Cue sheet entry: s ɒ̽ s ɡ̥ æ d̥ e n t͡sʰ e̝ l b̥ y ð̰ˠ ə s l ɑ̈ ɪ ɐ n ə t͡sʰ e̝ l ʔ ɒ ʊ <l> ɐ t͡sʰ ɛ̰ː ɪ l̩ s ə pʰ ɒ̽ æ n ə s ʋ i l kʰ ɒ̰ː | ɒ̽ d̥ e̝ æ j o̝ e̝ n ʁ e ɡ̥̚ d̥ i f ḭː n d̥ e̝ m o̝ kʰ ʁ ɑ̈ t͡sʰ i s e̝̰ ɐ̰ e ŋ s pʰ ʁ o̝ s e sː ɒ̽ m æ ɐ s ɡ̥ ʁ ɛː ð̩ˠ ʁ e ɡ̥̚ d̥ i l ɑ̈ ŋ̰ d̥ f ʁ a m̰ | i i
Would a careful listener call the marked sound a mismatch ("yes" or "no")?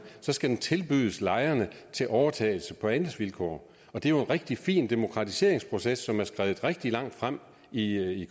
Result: yes